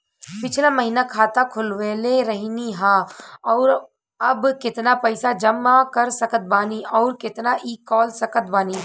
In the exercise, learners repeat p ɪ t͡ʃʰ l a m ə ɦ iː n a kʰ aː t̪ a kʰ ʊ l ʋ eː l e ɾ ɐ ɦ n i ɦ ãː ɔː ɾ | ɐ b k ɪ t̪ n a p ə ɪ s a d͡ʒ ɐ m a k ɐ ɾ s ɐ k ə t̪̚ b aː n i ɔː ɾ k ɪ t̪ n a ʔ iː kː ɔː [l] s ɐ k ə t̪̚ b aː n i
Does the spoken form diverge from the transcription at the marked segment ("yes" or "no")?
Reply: no